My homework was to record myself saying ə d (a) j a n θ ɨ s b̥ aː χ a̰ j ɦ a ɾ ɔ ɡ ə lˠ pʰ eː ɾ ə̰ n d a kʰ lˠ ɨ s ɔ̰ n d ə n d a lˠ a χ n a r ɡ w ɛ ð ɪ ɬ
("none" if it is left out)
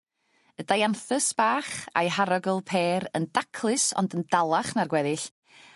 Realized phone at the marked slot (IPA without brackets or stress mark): a